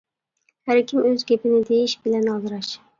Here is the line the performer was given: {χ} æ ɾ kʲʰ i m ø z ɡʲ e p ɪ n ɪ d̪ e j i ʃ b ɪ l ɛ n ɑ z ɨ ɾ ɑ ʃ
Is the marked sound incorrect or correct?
incorrect